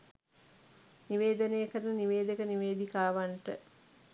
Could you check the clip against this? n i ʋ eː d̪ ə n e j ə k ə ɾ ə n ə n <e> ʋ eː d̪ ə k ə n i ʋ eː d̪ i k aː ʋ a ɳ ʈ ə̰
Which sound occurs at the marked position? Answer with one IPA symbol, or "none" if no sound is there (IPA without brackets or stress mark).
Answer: i